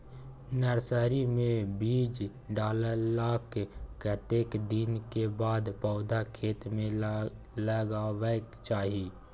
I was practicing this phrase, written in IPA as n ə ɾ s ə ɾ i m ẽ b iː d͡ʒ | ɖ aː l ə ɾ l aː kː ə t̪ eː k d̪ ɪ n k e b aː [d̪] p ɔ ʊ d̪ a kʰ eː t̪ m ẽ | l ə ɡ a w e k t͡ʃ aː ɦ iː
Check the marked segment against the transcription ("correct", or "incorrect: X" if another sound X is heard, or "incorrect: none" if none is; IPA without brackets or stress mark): correct